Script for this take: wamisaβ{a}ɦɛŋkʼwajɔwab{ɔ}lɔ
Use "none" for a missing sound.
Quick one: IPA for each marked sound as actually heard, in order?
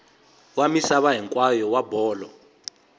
a, ɔː

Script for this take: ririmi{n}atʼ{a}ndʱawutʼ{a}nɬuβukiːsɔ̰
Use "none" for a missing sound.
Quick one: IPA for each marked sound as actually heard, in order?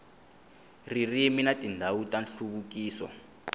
n, i, a

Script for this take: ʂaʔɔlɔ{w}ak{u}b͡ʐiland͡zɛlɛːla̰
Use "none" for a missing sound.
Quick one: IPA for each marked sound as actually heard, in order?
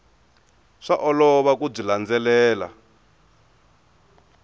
β, u

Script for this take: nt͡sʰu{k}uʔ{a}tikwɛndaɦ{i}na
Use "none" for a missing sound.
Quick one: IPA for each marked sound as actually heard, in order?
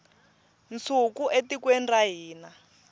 k, e, iː

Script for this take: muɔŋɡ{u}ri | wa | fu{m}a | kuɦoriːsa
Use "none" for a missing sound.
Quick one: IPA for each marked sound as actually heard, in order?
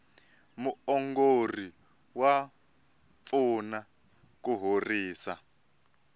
o, n

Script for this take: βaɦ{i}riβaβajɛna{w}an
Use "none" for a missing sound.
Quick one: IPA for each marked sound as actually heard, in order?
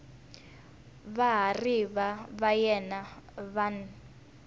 a, β

